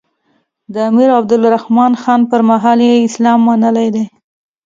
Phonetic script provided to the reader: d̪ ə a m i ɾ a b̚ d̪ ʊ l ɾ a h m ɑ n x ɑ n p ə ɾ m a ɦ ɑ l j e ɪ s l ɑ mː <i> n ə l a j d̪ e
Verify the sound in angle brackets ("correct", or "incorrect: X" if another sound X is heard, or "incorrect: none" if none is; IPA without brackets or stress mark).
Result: incorrect: a